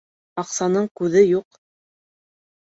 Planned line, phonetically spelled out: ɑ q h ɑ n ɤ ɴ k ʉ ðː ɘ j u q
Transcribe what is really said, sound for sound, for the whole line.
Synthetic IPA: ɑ q s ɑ n ɤ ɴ k ʉ ð ɘ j u q